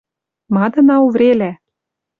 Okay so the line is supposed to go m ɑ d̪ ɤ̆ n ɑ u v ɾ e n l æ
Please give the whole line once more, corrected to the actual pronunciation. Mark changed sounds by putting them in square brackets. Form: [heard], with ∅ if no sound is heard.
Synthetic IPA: m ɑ d̪ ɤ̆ n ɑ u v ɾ e [∅] l æ

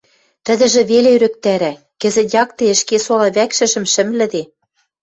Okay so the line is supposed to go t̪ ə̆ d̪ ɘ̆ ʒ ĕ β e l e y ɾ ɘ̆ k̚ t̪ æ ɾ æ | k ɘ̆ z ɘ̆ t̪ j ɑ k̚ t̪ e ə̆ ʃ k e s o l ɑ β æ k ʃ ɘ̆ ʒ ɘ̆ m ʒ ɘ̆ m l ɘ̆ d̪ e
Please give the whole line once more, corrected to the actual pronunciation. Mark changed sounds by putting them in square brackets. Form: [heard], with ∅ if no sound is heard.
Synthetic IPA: t̪ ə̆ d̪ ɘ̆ ʒ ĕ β e l e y ɾ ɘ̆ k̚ t̪ æ ɾ æ | k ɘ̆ z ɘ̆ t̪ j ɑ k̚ t̪ e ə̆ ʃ k e s o l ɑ β æ k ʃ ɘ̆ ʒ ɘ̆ m [ʃ] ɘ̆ m l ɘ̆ d̪ e

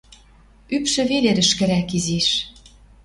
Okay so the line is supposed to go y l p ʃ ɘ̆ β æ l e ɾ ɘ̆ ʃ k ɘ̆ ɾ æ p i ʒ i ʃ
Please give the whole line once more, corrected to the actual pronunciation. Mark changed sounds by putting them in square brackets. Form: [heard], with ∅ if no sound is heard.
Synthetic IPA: y [∅] p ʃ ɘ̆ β [e] l e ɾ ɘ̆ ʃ k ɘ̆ ɾ æ [k] i [z] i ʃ

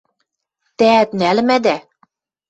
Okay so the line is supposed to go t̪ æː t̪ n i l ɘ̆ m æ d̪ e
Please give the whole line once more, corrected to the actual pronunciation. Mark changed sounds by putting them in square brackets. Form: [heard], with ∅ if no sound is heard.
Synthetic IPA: t̪ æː t̪ n [æ] l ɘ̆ m æ d̪ [æ]

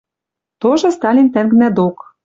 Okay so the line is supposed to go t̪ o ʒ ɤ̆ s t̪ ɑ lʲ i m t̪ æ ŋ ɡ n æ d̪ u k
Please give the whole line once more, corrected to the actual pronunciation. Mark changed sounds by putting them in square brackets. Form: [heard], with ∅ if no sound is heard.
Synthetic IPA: t̪ o ʒ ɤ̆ s t̪ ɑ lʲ i [n] t̪ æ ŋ ɡ n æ d̪ [o] k

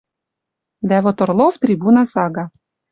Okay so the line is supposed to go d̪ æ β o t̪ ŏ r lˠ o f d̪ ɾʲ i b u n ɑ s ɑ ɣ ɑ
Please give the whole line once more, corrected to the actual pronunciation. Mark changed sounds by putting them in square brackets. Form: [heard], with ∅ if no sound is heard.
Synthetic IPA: d̪ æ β o t̪ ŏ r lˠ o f [t̪] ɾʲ i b u n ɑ s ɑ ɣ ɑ

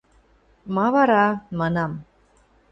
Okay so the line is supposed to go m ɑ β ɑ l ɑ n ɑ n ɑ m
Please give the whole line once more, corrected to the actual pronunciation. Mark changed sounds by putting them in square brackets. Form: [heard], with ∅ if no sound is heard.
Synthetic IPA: m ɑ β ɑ [ɾ] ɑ [m] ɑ n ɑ m

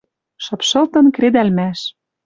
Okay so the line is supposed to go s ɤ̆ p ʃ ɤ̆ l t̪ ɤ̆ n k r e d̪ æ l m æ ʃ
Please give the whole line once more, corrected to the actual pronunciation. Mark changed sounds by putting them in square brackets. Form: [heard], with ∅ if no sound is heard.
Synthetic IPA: [ʃ] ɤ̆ p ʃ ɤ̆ l t̪ ɤ̆ n k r e d̪ æ l m æ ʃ

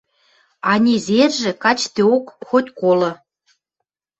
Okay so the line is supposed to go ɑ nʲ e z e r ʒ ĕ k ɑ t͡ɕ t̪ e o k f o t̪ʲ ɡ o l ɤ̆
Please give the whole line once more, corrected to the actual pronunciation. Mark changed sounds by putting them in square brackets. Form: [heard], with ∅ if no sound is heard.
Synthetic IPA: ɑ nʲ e z e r ʒ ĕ k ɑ t͡ɕ t̪ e o k [x] o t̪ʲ [k] o l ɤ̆

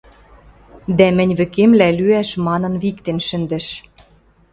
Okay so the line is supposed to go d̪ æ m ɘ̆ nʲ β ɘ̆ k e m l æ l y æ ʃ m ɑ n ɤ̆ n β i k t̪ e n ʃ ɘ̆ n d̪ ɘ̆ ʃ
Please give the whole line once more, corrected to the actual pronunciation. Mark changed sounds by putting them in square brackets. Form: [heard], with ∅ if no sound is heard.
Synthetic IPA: d̪ æ m ɘ̆ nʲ β ɘ̆ k e m l æ l y æ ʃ m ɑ n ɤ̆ n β i k t̪ e n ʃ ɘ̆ n d̪ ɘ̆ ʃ

